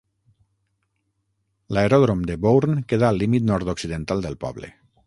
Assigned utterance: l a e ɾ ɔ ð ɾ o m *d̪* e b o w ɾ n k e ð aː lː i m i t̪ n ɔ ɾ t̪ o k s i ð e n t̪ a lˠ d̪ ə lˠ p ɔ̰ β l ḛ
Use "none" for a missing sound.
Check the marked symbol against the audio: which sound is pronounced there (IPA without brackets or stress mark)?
d̪